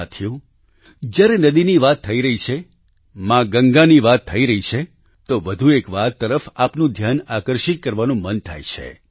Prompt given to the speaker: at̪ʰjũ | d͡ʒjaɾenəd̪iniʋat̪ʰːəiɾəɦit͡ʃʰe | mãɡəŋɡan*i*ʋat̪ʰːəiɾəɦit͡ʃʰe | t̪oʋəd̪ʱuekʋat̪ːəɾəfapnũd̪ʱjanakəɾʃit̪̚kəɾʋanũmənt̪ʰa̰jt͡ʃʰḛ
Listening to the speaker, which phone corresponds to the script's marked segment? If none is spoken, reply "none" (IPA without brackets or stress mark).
i